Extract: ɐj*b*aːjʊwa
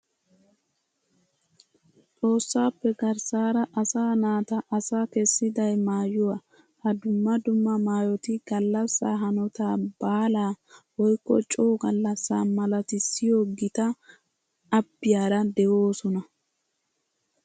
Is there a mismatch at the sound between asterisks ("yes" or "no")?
yes